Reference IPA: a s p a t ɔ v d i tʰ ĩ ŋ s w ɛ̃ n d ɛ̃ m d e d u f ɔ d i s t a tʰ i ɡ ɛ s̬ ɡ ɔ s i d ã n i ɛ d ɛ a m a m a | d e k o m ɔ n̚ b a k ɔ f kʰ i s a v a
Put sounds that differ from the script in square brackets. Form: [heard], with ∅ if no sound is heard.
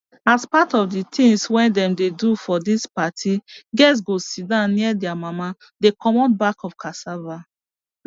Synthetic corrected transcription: a s p a t ɔ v d i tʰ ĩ ŋ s w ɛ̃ n d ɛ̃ m d e d u f ɔ d i s [p] a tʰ i ɡ ɛ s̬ ɡ [o] s i d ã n i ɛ d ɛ a m a m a | d e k [ɔ] m ɔ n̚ b a k ɔ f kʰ [a] s a v a